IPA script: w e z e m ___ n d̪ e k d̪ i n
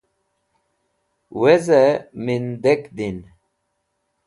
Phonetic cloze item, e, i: i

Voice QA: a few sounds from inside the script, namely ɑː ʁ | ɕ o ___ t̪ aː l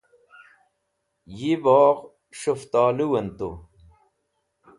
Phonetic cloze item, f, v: f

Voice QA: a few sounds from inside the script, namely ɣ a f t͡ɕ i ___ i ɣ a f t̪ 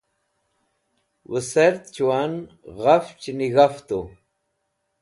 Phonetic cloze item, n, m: n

